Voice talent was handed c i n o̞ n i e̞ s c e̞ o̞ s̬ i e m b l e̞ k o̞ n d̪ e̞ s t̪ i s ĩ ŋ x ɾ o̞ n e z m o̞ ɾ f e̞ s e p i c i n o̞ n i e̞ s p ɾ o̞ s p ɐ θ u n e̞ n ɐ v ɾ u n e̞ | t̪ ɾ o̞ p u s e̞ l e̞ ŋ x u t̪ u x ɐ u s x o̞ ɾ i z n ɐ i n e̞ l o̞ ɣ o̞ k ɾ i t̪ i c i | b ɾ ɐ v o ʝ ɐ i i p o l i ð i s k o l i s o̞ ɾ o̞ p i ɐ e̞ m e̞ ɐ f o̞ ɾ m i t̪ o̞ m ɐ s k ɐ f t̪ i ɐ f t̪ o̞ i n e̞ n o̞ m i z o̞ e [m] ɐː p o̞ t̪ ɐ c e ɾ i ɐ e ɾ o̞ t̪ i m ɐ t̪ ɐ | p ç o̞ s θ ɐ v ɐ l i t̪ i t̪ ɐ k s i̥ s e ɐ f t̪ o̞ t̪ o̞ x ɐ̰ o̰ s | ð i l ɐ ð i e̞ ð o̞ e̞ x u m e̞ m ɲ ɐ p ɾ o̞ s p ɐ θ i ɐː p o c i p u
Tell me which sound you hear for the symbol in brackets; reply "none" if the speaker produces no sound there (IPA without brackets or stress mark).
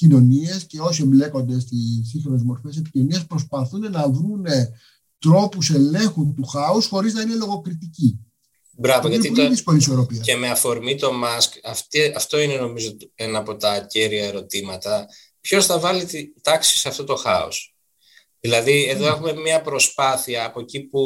n